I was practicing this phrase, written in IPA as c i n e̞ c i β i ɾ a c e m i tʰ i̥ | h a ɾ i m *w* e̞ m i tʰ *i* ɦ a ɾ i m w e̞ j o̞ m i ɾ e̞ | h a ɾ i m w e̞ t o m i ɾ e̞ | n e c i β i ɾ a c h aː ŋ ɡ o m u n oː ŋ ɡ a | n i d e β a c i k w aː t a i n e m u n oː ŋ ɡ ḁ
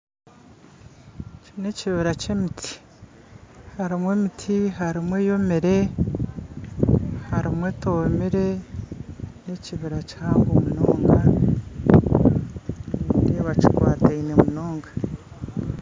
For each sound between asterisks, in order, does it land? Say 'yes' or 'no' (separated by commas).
yes, yes